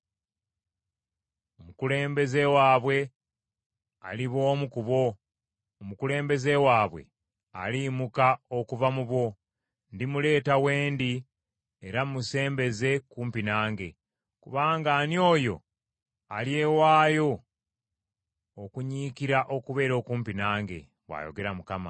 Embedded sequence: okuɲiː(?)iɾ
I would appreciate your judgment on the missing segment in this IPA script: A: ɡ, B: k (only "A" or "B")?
B